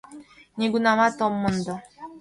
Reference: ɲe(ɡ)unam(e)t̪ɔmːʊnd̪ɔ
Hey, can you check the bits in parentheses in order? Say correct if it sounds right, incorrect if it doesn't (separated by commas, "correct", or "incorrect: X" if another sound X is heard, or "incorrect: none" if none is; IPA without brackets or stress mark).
correct, incorrect: a